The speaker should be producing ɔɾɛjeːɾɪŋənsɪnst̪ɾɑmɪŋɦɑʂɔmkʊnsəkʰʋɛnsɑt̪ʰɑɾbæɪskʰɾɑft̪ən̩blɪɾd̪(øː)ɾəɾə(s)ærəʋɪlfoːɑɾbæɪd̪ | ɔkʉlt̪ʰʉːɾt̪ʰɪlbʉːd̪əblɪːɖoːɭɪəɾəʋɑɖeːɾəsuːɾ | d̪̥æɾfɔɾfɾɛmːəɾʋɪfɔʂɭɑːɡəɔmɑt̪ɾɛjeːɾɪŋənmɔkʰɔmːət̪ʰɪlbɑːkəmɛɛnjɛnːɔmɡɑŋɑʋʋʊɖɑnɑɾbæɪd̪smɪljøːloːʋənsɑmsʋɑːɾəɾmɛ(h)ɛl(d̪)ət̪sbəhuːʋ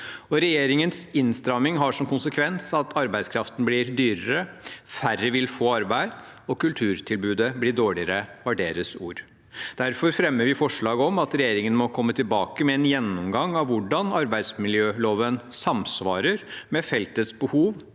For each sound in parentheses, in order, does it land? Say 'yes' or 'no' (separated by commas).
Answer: no, no, no, no